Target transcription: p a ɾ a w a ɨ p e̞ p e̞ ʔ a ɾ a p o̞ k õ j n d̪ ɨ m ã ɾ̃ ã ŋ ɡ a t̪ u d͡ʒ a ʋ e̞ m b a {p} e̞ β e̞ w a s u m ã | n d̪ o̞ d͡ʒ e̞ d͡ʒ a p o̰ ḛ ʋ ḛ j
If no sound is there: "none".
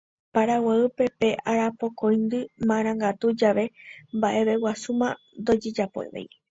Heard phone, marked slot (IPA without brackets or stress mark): ʔ